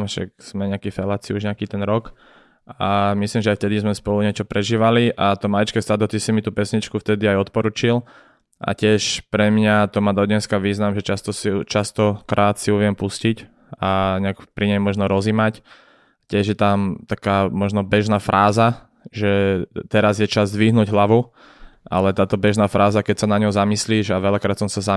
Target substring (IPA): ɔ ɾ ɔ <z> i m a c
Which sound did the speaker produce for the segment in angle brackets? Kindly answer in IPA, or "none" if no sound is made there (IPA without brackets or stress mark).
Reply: z